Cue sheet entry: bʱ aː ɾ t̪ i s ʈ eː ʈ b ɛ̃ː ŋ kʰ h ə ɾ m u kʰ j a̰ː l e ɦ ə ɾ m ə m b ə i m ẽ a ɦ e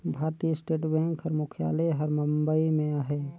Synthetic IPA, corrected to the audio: bʱ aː ɾ t̪ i s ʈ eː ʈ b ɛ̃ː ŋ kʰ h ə ɾ m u kʰ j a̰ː l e ɦ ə ɾ m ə m b ə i m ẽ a ɦ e